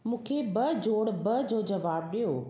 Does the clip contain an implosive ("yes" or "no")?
yes